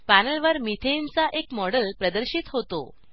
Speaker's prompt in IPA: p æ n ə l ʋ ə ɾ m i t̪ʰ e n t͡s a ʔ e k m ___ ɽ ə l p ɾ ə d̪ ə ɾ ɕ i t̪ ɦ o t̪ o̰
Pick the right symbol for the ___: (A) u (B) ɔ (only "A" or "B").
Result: B